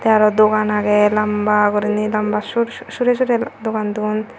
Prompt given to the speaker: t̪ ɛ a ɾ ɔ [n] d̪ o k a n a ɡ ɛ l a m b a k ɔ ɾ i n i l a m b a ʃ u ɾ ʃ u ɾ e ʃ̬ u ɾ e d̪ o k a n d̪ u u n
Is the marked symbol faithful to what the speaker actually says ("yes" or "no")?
no